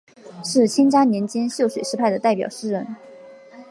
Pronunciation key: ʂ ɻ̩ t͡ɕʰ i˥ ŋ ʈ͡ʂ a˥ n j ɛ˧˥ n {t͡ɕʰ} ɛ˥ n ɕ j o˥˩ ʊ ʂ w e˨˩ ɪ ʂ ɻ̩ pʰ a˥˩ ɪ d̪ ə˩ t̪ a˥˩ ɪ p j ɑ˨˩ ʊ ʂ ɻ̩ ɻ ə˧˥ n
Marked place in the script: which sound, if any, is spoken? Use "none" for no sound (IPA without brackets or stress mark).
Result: t͡ɕ